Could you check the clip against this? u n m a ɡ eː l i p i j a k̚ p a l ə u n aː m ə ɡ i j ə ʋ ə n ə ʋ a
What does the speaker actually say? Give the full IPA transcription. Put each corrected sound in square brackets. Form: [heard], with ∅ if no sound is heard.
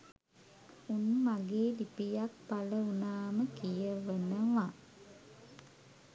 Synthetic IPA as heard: u n m a ɡ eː l i p i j a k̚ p a l ə u n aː m ə [k] i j ə ʋ ə n ə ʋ a